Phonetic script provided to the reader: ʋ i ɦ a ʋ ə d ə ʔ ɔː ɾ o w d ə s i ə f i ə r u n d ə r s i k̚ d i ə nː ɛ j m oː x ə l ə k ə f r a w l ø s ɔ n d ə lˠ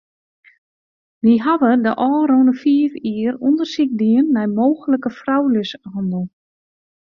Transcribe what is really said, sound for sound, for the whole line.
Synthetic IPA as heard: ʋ i ɦ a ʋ ə d ə ʔ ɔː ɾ o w n ə f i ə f i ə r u n d ə r s i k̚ d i ə nː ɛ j m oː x ə l ə k ə f r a w l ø s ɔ n d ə lˠ